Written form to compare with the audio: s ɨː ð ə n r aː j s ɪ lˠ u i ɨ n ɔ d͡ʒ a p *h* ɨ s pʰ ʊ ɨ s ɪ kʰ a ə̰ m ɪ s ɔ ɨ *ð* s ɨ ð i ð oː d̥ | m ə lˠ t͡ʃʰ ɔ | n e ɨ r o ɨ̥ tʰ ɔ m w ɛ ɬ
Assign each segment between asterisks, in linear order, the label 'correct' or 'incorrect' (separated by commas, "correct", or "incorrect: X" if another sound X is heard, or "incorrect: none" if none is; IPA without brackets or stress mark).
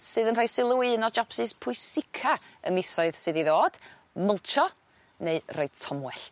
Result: incorrect: s, correct